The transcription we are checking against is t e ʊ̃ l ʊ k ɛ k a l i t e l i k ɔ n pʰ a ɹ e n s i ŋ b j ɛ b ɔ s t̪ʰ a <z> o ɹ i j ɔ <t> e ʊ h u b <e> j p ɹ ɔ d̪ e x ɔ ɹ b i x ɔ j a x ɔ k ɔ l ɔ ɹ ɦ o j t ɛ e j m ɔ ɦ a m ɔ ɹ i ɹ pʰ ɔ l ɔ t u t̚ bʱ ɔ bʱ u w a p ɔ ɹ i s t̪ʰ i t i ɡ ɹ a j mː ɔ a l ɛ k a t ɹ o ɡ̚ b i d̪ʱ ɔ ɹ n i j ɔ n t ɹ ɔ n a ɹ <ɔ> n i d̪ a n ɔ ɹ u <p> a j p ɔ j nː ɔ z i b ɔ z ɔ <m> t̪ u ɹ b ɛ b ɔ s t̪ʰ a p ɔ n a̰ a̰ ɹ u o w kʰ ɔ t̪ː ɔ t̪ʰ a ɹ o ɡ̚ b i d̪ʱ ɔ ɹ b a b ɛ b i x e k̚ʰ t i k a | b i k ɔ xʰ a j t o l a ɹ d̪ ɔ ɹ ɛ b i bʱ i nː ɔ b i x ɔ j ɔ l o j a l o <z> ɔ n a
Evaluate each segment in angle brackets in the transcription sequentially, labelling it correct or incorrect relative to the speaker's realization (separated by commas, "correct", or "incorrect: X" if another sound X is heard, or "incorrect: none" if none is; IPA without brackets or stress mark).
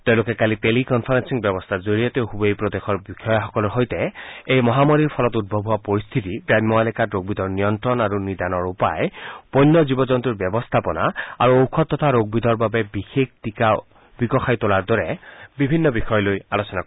correct, correct, correct, incorrect: u, correct, incorrect: n, incorrect: s